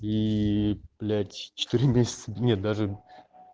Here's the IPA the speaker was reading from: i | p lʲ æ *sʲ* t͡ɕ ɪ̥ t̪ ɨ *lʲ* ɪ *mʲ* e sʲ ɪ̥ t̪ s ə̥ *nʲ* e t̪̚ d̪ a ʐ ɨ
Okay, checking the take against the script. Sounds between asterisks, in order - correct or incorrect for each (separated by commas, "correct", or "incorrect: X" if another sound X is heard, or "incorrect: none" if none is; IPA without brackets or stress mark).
incorrect: tʲ, incorrect: ɾʲ, correct, correct